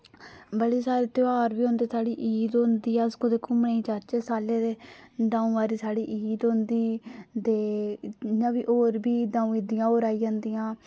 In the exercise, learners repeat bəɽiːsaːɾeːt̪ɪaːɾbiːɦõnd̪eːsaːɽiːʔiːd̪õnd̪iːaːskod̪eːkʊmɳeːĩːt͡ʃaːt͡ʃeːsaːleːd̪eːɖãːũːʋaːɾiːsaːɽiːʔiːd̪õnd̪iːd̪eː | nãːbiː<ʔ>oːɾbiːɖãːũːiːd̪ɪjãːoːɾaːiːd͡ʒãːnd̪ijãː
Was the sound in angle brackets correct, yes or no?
yes